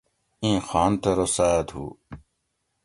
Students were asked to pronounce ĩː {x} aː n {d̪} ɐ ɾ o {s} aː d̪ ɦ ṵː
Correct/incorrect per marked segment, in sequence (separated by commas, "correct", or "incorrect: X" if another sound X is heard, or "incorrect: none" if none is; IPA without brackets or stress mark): correct, incorrect: t̪, correct